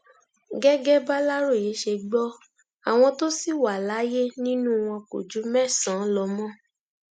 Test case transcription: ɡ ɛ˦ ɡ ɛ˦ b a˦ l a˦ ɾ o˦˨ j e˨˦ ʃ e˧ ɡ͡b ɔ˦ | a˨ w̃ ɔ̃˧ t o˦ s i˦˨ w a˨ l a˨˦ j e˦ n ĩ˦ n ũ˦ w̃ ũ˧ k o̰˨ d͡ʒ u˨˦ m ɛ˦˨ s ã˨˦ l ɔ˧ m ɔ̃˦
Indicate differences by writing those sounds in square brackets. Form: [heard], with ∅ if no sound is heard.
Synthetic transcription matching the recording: ɡ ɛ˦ ɡ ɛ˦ b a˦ l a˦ ɾ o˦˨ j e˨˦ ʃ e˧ ɡ͡b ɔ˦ | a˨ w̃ ɔ̃˧ t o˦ s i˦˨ w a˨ l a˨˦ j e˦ n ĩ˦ n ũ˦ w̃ [ɔ̃˧] k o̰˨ d͡ʒ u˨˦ m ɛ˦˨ s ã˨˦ l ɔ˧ m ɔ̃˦